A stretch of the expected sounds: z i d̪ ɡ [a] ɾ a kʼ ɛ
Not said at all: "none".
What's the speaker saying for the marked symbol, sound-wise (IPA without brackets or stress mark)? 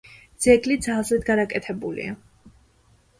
a